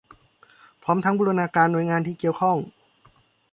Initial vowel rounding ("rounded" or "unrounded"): rounded